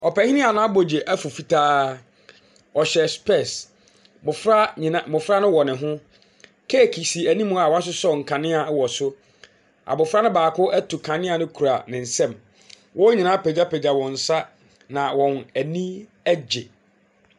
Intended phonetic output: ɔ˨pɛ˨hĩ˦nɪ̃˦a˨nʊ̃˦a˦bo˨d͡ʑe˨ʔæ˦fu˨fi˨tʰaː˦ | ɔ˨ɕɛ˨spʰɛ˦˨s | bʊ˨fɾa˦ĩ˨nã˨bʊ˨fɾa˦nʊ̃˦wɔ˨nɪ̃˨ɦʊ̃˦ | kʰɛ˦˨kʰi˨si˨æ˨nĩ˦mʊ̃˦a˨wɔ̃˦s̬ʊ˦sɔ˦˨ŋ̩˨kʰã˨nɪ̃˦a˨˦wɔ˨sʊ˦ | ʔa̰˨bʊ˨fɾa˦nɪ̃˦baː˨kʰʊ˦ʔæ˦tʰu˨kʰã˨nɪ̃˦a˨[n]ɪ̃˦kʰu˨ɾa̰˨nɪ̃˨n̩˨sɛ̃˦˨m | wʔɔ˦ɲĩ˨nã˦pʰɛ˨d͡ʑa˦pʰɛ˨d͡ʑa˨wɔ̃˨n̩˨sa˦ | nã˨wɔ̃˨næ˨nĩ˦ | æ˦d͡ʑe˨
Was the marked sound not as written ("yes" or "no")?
no